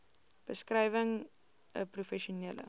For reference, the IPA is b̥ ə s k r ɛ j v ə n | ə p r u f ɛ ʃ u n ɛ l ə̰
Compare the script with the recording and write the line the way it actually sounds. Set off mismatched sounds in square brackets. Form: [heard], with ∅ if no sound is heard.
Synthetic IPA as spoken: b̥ ə s k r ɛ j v ə [ŋ] | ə p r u f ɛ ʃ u n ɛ l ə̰